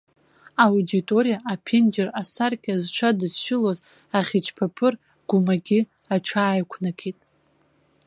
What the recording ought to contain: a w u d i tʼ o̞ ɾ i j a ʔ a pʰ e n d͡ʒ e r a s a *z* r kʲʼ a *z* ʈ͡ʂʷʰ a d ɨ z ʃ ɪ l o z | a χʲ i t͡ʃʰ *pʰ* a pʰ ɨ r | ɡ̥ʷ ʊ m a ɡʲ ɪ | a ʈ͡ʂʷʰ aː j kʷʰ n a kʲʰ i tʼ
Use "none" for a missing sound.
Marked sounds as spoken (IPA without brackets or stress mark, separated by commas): none, z, pʰ